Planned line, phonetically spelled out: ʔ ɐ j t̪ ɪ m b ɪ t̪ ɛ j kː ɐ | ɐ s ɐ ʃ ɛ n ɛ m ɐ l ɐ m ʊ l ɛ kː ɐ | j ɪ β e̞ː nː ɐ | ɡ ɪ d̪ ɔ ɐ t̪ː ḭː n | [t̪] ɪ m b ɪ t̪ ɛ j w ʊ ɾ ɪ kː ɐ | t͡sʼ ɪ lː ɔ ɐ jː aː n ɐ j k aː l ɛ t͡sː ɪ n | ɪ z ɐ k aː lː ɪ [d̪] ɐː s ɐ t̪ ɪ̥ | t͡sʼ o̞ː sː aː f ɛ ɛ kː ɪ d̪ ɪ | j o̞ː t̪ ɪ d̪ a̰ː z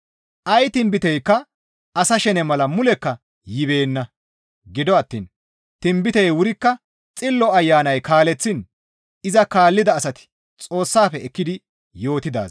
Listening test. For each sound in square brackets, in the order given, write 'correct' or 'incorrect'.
correct, correct

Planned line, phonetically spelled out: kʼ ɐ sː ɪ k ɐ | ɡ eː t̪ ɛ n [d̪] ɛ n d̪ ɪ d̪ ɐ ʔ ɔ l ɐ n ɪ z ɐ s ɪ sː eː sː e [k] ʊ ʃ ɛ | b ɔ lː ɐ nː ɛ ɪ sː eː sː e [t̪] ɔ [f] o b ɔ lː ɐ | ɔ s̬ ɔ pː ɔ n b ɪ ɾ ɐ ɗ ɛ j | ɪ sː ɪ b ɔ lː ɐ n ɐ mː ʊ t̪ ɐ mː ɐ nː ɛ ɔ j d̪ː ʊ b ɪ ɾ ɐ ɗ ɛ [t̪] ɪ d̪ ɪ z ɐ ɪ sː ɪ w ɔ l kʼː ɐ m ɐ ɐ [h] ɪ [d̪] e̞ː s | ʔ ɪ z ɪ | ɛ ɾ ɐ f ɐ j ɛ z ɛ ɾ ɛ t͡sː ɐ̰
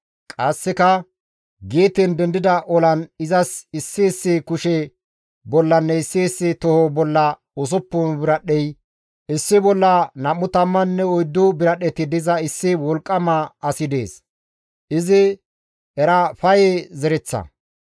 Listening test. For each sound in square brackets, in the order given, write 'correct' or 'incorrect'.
correct, correct, correct, incorrect, correct, incorrect, correct

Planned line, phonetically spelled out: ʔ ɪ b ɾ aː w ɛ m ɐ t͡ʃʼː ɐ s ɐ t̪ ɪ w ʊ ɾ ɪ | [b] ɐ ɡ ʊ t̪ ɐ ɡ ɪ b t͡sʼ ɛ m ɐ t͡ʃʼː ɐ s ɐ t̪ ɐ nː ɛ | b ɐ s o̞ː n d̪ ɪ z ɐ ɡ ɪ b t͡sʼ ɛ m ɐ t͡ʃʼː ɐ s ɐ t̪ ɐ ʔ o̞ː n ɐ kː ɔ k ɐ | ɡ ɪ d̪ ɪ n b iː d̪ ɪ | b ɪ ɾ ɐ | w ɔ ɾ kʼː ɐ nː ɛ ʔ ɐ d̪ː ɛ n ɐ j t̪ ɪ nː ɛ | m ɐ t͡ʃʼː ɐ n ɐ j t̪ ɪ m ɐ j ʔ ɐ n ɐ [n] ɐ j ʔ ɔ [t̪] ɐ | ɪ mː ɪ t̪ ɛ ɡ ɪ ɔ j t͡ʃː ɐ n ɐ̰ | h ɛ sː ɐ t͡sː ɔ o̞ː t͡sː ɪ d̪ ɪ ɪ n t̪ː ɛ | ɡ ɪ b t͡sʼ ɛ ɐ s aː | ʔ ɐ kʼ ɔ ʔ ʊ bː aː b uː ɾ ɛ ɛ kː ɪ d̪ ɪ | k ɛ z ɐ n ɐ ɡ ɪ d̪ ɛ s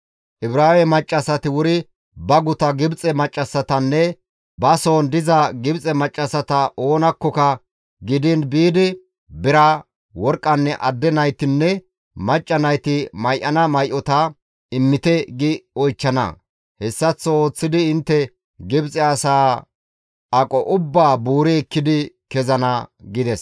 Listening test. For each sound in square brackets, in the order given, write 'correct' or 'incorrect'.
correct, incorrect, correct

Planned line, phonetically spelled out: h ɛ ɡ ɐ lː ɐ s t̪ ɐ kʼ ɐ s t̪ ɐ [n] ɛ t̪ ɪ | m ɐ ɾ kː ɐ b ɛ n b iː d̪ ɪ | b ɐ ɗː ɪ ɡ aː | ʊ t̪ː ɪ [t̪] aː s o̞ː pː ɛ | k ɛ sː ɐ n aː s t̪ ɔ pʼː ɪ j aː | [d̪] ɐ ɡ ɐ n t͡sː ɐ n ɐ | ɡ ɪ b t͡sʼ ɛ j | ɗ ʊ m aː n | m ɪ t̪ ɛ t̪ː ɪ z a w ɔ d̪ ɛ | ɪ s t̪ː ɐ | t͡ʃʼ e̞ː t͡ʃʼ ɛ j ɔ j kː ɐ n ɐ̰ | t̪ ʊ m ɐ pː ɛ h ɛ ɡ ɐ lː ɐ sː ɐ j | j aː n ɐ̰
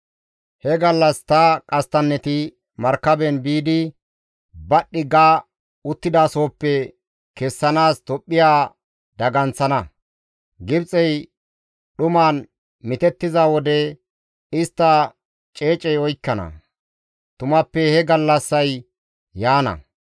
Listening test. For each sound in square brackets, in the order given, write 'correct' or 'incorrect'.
incorrect, incorrect, correct

